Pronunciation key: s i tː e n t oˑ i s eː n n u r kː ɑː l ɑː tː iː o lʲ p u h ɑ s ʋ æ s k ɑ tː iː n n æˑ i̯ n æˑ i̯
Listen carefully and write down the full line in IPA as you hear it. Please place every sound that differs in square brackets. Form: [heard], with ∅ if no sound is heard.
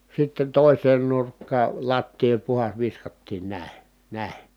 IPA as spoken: s i tː e n t oˑ i s eː n n u r kː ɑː l [ɑ] tː iː o lʲ p u h ɑ s ʋ [i] s k ɑ tː iː n n æˑ i̯ n æˑ i̯